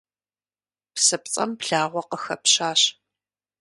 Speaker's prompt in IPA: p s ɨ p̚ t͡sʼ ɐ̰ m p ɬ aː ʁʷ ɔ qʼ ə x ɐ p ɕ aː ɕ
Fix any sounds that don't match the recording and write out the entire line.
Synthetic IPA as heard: p s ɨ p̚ t͡sʼ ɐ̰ m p ɬ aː ʁʷ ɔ q ə x ɐ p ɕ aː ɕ